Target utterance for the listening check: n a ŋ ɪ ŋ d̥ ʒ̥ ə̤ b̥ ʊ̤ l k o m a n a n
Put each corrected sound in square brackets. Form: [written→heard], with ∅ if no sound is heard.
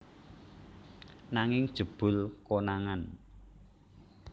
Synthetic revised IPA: n a ŋ ɪ ŋ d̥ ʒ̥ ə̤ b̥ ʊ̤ l k o [m→n] a [n→ŋ] a n